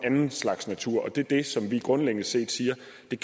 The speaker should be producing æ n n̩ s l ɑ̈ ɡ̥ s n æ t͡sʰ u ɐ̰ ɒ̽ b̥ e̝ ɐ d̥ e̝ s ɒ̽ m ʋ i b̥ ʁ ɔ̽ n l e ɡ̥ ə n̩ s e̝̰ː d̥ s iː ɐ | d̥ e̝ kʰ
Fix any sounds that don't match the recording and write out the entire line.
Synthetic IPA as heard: æ n n̩ s l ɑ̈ ɡ̥ s n æ t͡sʰ u ɐ̰ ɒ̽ d̥ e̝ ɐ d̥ e̝ s ɒ̽ m ʋ i ɡ̥ ʁ ɔ̽ n l e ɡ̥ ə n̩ s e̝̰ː d̥ s iː ɐ | d̥ e̝ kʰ